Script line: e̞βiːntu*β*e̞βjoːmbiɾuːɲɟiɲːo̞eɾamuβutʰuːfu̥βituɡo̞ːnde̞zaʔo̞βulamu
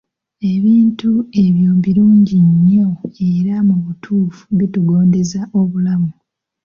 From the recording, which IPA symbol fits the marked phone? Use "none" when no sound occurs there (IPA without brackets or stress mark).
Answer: none